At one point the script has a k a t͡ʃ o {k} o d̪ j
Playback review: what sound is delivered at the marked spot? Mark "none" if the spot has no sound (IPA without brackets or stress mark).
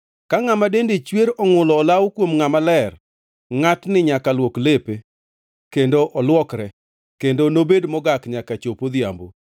p